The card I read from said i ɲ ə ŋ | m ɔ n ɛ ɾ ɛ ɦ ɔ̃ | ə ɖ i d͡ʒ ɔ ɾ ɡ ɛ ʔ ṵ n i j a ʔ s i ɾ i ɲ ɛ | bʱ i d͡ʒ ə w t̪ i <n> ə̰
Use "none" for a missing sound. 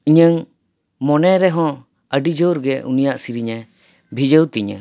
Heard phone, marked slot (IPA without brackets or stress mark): ɲ